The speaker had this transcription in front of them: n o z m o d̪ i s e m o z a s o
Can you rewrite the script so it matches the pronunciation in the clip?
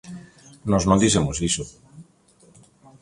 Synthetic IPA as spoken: n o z n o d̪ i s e m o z i s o